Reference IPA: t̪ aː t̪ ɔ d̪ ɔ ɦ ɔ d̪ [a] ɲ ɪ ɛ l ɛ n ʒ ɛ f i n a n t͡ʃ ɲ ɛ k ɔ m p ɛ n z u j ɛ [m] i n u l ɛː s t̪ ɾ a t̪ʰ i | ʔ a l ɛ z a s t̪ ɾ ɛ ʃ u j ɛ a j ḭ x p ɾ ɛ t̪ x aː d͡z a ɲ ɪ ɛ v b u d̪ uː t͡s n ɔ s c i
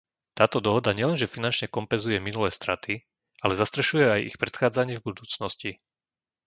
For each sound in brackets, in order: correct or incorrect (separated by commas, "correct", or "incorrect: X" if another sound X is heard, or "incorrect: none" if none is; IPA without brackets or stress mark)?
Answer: correct, correct